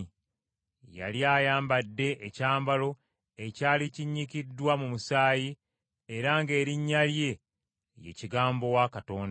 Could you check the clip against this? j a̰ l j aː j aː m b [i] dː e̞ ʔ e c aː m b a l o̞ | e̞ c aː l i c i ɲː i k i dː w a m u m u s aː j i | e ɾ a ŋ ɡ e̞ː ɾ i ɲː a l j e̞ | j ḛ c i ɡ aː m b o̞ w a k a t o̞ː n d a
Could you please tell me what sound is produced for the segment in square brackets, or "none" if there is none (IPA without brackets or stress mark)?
a